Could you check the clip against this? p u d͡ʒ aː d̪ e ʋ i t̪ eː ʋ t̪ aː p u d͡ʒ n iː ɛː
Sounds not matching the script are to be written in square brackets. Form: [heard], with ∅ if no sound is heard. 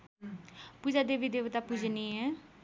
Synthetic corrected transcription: p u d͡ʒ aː d̪ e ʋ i [d̪] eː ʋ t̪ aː p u d͡ʒ n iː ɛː